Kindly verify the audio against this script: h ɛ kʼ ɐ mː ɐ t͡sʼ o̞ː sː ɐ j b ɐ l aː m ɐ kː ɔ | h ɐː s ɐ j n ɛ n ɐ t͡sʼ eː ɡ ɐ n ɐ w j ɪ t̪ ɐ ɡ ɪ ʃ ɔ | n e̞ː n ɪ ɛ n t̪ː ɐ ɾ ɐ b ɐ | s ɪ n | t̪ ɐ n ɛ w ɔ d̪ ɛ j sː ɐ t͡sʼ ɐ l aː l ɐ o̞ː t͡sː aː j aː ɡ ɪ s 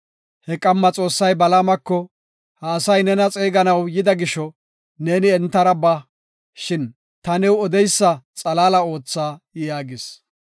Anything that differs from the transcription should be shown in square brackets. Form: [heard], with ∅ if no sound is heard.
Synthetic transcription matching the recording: h ɛ kʼ ɐ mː ɐ t͡sʼ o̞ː sː ɐ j b ɐ l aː m ɐ kː ɔ | h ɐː s ɐ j n ɛ n ɐ t͡sʼ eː ɡ ɐ n ɐ w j ɪ [d̪] ɐ ɡ ɪ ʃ ɔ | n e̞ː n ɪ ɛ n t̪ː ɐ ɾ ɐ b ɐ | [ʃ] ɪ n | t̪ ɐ n ɛ w ɔ d̪ ɛ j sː ɐ t͡sʼ ɐ l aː l ɐ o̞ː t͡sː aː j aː ɡ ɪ s